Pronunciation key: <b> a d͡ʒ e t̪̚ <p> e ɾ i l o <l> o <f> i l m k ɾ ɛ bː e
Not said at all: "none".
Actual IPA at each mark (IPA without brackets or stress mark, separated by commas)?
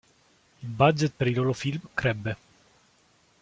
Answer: b, p, l, f